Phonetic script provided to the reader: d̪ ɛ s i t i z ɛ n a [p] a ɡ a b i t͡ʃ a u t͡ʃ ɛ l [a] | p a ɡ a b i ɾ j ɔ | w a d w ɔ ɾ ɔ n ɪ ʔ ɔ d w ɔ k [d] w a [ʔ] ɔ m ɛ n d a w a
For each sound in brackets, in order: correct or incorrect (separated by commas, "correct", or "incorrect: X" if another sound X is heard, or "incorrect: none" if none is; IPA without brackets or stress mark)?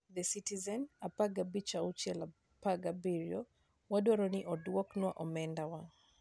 correct, correct, incorrect: n, correct